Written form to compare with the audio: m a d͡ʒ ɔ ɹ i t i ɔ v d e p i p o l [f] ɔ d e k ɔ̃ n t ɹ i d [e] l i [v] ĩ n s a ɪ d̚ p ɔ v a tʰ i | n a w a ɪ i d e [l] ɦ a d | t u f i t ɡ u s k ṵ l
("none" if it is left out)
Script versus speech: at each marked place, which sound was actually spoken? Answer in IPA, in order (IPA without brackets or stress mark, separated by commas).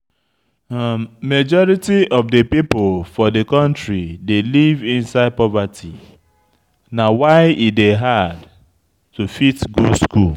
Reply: f, e, v, none